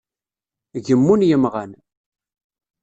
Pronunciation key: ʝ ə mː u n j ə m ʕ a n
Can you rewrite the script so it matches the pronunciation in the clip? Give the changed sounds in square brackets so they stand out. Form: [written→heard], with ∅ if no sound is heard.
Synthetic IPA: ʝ ə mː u n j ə m [ʕ→ʁ] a n